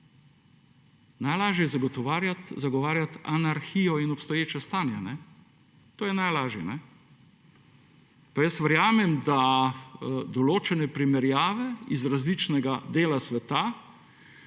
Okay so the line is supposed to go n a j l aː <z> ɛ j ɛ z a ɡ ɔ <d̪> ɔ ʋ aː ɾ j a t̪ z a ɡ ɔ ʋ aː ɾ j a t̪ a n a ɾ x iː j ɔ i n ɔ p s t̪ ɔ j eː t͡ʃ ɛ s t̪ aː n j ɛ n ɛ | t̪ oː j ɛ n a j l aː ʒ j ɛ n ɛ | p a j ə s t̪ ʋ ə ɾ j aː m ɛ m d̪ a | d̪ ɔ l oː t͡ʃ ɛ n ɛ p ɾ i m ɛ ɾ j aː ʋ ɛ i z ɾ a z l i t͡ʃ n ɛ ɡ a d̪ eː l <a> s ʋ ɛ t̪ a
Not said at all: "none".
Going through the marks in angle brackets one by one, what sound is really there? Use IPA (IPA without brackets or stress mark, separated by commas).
ʒ, t̪, a